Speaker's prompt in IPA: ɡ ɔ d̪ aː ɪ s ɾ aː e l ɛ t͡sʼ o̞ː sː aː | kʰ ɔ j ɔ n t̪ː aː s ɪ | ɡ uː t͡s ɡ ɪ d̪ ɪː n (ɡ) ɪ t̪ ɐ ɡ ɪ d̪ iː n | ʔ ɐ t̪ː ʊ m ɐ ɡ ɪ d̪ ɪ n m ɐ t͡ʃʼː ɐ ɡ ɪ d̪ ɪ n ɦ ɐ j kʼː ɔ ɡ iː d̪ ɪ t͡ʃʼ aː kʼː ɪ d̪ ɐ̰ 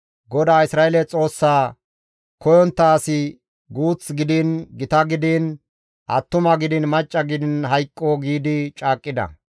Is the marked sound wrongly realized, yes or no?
no